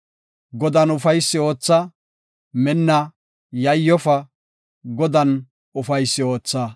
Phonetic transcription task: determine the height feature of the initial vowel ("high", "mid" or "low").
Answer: mid